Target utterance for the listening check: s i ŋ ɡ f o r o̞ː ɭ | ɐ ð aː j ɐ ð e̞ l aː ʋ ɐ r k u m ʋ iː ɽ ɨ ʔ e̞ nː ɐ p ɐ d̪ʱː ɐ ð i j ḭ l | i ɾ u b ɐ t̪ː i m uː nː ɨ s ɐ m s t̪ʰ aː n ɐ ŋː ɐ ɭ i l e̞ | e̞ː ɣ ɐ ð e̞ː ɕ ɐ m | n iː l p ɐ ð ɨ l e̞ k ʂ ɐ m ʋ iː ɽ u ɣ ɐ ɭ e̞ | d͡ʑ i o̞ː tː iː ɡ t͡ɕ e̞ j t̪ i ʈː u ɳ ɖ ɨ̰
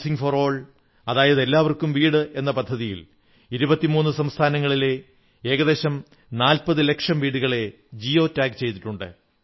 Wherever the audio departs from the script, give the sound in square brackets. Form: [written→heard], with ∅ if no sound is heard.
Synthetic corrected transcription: s i ŋ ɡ f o r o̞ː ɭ | ɐ ð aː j ɐ ð e̞ [l→lː] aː ʋ ɐ r k u m ʋ iː ɽ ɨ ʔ e̞ nː ɐ p ɐ d̪ʱː ɐ ð i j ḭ l | i ɾ u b ɐ t̪ː i m uː nː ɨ s ɐ m s t̪ʰ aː n ɐ ŋː ɐ ɭ i l e̞ | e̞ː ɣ ɐ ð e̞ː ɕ ɐ m | n [iː→aː] l p ɐ ð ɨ l e̞ k ʂ ɐ m ʋ iː ɽ u ɣ ɐ ɭ e̞ | d͡ʑ i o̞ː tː [iː→aː] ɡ t͡ɕ e̞ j t̪ i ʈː u ɳ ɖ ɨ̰